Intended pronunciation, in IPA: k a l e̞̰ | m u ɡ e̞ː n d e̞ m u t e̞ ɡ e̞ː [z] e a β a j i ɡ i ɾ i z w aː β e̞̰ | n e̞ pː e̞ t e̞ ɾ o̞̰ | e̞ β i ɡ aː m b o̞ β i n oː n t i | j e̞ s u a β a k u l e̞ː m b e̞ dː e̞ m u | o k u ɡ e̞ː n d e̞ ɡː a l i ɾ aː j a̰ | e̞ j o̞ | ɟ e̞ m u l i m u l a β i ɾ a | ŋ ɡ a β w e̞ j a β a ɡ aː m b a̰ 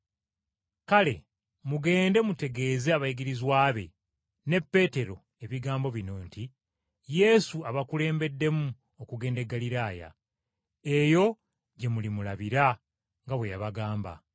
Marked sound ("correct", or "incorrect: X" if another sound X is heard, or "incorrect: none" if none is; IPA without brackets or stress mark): correct